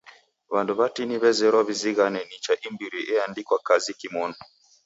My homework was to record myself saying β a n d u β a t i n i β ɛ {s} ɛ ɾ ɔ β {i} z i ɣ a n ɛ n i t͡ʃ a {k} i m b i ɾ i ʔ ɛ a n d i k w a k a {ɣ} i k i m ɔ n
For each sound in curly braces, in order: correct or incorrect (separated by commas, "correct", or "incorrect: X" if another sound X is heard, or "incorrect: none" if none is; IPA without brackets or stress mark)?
incorrect: z, correct, incorrect: ʔ, incorrect: z